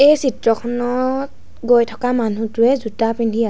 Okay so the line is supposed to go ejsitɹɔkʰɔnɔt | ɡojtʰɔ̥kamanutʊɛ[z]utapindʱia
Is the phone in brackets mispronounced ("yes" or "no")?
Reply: no